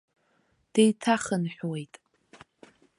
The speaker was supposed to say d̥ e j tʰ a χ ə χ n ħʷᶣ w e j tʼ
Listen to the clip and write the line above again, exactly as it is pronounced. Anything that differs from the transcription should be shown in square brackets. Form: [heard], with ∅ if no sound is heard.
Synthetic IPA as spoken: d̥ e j tʰ a χ ə [∅] n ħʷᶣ w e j tʼ